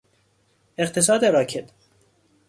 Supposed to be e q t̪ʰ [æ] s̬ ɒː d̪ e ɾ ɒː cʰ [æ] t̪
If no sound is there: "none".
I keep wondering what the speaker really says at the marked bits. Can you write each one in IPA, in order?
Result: e, e

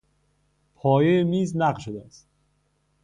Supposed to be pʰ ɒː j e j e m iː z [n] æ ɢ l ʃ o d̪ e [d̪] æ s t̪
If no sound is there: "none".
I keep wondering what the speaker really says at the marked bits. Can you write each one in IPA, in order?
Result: n, none

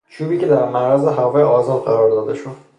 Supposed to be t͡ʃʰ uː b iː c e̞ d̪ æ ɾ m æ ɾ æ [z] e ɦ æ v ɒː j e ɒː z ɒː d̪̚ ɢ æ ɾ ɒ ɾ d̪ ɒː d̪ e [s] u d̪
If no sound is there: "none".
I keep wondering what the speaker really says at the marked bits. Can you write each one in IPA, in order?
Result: z, ʃ

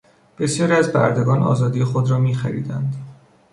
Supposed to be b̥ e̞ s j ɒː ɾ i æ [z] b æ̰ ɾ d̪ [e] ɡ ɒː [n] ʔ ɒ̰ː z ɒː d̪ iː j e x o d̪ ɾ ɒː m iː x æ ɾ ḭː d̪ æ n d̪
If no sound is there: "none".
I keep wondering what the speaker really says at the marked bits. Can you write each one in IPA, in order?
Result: z, e, n

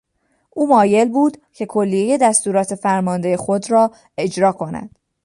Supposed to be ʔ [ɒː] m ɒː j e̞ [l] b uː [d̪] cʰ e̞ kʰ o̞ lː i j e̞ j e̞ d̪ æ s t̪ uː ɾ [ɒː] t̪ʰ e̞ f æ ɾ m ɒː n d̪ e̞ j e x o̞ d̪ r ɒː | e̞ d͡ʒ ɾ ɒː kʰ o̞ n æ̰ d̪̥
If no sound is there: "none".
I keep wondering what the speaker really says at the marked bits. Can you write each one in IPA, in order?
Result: uː, l, d̪, ɒː

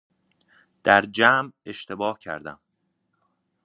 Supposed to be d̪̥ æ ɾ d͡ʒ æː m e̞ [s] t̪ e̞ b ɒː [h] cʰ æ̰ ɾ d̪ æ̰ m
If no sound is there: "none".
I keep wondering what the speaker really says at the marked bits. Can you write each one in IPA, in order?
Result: ʃ, h

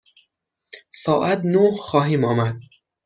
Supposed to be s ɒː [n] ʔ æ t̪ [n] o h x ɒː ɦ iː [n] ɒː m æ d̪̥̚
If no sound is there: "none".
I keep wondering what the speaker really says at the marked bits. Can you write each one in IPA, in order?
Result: none, n, m

